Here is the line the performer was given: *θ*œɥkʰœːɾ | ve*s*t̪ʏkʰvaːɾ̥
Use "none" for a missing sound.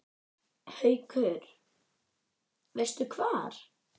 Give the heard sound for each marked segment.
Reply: h, s

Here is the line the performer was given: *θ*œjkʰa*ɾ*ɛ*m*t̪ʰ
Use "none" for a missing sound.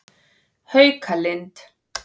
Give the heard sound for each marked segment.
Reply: h, l, n

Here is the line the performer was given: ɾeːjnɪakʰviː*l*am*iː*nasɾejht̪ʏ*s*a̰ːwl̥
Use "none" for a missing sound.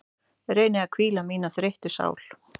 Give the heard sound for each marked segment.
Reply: l, iː, s

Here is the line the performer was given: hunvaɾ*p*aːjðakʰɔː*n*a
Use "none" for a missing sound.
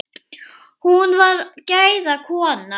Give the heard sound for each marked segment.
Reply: c, n

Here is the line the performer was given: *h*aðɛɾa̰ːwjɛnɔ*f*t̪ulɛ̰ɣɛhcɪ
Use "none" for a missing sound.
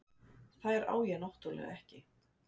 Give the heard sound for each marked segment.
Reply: θ, h

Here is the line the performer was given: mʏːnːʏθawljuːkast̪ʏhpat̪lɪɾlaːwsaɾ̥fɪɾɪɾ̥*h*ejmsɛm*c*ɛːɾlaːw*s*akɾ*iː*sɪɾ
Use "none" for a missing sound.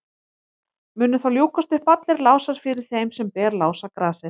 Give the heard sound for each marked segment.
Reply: θ, p, s, aː

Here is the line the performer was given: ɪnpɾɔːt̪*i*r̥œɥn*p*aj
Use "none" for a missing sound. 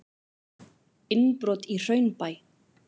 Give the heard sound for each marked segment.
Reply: i, p

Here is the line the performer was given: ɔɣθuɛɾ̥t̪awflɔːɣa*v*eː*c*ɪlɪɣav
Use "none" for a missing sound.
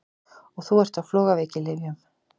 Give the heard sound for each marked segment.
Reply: v, c

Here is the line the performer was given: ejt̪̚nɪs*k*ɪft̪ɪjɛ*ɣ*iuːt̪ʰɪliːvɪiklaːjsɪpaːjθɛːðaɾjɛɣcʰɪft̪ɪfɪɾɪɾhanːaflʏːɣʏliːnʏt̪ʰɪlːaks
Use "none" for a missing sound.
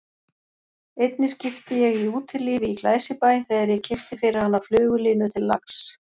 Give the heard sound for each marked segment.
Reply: c, ɣ

